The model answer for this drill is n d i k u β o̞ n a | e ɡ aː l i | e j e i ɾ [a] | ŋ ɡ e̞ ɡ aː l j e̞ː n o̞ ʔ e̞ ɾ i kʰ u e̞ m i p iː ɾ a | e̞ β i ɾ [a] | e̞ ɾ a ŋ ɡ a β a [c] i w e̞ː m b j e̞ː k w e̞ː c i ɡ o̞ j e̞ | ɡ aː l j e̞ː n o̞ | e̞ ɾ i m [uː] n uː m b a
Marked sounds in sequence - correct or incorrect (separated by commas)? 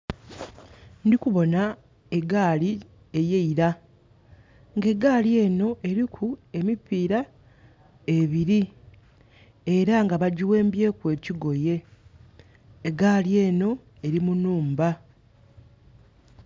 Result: correct, incorrect, incorrect, incorrect